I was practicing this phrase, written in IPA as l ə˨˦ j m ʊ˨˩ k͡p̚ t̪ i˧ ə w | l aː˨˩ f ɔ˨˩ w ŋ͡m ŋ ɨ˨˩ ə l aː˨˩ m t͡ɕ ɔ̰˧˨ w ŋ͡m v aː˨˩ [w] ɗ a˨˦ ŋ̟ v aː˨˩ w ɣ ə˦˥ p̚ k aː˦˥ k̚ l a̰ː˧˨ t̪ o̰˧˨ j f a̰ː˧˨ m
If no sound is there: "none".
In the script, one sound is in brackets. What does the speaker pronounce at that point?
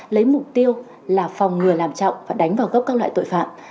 none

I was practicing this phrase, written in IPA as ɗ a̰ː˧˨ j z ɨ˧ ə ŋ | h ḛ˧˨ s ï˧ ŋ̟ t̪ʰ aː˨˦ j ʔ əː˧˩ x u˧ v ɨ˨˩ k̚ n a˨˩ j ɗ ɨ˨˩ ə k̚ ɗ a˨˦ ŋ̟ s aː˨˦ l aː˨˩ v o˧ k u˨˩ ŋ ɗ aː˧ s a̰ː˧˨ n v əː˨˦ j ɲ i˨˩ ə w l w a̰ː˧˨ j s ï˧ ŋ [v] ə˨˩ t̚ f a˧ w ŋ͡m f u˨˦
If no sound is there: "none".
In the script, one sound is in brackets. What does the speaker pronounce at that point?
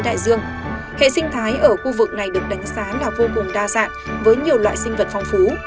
v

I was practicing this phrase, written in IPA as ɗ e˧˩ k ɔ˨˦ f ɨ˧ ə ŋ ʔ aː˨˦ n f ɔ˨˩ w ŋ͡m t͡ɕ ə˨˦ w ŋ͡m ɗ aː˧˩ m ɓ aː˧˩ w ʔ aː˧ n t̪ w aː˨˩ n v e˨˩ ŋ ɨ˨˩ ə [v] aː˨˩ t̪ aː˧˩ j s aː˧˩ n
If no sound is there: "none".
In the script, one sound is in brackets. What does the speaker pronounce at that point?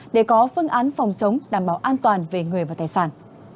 v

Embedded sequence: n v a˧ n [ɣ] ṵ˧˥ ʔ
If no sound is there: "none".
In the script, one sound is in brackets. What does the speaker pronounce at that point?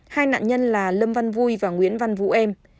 v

